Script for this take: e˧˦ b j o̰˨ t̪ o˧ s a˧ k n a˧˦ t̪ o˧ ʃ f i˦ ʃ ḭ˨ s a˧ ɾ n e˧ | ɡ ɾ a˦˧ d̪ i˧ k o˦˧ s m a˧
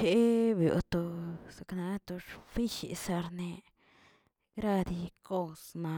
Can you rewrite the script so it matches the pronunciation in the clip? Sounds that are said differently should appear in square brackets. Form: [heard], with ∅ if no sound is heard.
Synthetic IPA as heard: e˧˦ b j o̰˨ t̪ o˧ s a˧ k n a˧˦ t̪ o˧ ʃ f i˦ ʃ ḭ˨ s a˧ ɾ n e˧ | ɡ ɾ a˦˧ d̪ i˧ k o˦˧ s m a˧